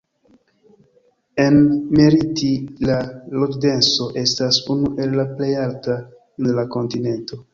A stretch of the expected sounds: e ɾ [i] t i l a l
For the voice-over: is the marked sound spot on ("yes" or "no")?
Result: yes